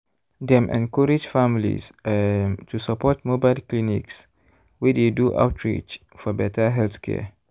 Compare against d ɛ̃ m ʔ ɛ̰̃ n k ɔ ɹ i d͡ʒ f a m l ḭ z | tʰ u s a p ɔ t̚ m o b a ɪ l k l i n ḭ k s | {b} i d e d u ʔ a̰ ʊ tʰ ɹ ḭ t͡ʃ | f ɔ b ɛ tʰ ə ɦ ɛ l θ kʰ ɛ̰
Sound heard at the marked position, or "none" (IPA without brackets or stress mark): w